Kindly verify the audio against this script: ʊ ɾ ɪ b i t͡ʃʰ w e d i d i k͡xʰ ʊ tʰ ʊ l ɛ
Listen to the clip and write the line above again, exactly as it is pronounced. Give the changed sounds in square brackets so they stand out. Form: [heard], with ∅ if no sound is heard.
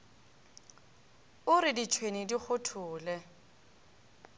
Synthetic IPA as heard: ʊ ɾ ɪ [d] i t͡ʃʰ w e [n] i d i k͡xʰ ʊ tʰ [ʊː] l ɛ